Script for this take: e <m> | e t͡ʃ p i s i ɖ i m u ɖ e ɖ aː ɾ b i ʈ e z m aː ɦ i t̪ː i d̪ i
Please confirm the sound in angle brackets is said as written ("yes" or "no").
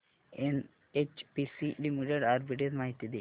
no